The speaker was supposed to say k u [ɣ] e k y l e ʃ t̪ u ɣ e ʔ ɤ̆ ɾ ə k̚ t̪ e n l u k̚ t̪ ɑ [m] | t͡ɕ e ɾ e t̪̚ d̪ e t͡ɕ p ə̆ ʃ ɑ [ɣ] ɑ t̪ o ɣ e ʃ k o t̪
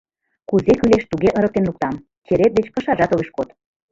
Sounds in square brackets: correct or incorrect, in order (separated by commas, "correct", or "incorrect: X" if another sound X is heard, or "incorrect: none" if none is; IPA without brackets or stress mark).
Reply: incorrect: z, correct, incorrect: ʒ